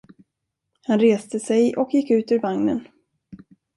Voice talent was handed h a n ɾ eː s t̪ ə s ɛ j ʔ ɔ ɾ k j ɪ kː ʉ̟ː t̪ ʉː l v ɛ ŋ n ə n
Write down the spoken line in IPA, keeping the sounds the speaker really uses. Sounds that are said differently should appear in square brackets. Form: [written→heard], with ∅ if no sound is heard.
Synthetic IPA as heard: h a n ɾ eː s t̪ ə s ɛ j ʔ ɔ [ɾ→∅] k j ɪ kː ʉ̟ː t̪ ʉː [l→ɾ] v [ɛ→a] ŋ n ə n